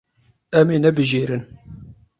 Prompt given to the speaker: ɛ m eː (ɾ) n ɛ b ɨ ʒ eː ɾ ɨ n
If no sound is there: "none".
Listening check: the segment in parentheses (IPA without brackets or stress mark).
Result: none